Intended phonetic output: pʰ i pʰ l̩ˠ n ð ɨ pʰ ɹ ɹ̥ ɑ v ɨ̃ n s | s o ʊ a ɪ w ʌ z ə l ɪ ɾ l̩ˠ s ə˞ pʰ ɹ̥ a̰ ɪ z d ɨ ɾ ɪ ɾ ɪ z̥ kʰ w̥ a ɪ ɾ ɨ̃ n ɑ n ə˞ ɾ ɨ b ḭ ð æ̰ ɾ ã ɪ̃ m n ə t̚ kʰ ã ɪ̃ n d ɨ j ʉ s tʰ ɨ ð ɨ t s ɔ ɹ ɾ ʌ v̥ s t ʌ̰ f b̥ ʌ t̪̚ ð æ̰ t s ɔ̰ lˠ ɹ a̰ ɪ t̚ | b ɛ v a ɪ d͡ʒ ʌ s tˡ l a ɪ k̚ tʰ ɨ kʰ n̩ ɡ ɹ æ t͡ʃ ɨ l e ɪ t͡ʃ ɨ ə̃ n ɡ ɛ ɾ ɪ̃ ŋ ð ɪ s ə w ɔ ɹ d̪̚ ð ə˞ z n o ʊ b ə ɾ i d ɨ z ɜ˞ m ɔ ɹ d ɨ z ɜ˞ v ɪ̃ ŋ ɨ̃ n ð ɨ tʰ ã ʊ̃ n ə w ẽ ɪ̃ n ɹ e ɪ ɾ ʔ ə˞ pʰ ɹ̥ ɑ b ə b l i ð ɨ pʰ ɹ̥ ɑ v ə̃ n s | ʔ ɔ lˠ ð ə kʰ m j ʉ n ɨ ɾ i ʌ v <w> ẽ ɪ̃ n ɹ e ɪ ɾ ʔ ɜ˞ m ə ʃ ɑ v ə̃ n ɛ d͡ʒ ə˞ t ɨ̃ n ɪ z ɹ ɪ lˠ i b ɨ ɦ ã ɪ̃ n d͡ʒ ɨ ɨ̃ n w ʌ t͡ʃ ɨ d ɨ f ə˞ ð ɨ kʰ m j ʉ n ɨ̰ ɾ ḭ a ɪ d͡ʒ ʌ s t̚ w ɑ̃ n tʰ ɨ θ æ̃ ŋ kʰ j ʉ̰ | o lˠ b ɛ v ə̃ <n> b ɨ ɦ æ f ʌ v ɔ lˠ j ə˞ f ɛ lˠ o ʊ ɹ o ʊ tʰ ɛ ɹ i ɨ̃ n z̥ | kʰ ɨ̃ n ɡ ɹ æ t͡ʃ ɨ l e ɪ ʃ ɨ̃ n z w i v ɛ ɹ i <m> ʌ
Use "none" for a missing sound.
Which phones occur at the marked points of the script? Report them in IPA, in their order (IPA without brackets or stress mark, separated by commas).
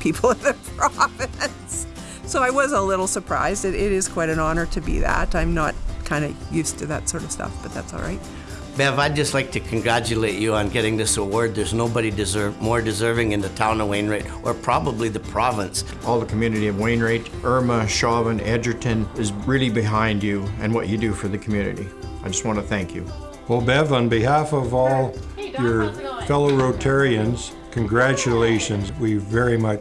w, n, m